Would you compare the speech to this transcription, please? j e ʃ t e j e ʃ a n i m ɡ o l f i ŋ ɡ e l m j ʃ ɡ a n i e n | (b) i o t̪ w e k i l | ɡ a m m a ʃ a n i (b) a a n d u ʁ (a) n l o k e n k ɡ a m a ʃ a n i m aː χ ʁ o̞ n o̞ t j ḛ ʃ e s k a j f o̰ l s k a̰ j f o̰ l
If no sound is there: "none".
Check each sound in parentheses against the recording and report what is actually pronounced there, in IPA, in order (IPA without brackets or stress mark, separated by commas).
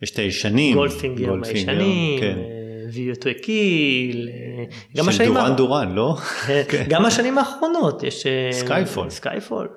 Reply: v, m, a